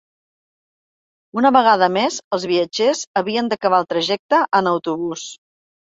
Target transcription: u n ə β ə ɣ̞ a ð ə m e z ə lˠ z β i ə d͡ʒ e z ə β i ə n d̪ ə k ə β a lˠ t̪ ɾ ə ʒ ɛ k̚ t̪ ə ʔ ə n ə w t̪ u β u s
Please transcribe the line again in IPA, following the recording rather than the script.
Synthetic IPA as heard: u n ə β ə ɣ̞ a ð ə m e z ə lˠ z β i ə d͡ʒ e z ə β i ə n d̪ ə k ə β a lˠ t̪ ɾ ə ʒ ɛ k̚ t̪ ə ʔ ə n ə w t̪ u β u s